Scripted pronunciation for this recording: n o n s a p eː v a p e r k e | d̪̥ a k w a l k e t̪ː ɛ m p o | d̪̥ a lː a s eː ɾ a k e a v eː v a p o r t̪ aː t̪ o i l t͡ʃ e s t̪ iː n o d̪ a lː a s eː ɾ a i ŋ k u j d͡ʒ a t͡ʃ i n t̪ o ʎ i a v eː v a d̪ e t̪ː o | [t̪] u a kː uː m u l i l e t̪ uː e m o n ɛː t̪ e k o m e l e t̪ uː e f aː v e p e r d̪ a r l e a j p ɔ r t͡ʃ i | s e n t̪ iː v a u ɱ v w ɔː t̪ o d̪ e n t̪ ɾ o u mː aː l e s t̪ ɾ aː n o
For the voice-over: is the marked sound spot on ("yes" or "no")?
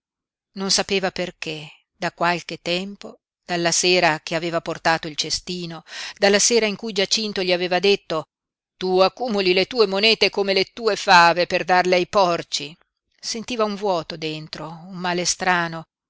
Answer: yes